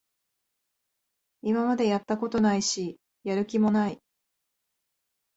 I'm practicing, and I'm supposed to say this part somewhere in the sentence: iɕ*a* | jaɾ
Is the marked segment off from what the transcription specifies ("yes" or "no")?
yes